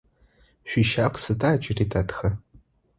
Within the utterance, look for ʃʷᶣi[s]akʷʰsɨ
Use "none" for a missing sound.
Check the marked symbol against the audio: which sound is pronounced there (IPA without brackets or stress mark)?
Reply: ʃ